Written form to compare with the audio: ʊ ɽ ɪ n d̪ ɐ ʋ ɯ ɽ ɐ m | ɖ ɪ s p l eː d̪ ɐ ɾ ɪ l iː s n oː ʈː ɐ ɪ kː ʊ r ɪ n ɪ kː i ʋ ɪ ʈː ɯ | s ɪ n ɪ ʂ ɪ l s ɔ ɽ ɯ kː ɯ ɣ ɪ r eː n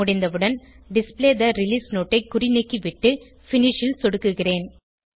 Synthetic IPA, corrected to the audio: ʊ ɽ ɪ n d̪ ɐ ʋ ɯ ɽ ɐ n | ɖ ɪ s p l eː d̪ ɐ ɾ ɪ l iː s n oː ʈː ɐ ɪ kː ʊ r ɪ n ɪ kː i ʋ ɪ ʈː ɯ | f ɪ n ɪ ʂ ɪ l s ɔ ɽ ɯ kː ɯ ɣ ɪ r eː n